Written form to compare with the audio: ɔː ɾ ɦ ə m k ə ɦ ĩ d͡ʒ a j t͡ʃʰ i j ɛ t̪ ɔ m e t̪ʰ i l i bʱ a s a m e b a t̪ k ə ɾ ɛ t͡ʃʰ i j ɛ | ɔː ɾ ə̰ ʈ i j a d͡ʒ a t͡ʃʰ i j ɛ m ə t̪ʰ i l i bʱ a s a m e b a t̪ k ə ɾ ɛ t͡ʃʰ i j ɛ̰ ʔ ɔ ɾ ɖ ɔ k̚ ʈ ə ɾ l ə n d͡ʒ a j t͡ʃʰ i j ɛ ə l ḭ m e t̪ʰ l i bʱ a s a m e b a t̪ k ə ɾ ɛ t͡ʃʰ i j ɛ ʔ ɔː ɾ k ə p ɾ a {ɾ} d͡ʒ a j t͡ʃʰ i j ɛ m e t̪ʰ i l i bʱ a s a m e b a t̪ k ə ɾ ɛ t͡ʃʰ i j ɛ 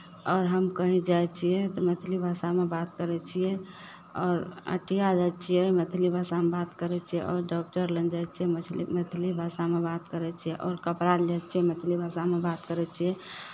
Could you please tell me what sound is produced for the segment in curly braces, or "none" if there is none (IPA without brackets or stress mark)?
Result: l